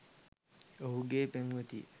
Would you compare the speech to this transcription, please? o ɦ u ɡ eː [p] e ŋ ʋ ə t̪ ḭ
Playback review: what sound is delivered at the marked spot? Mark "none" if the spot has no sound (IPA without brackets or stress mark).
p